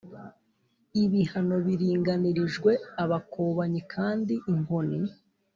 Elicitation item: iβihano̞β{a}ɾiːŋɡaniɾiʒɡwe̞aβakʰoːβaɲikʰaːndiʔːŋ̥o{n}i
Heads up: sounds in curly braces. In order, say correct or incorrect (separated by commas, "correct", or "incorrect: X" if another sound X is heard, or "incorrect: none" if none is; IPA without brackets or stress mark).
incorrect: i, correct